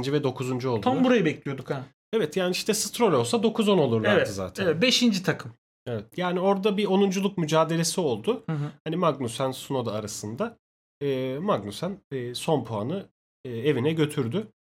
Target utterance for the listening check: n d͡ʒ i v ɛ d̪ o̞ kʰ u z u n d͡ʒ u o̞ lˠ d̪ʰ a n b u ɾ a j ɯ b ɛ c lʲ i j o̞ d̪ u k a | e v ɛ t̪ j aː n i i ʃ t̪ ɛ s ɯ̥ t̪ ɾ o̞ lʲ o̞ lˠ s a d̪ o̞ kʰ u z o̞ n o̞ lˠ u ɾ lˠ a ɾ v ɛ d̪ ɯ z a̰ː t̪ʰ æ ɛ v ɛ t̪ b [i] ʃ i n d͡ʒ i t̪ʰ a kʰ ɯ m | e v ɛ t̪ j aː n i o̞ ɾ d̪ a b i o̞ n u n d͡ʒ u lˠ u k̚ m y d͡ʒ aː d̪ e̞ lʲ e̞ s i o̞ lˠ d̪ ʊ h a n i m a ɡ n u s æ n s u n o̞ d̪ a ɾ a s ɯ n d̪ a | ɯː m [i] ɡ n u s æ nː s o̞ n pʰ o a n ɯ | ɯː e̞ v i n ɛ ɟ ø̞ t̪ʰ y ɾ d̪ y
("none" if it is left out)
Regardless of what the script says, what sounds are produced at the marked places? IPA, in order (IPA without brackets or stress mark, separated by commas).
e, a